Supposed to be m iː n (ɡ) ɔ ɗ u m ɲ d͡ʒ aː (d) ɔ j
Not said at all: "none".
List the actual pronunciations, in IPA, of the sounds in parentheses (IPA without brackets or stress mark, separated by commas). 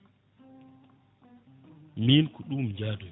k, d